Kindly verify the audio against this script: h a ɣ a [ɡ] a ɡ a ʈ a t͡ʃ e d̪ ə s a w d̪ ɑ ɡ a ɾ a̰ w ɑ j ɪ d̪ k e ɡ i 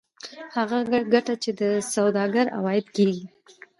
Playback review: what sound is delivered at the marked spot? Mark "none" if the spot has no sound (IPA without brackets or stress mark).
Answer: ɡ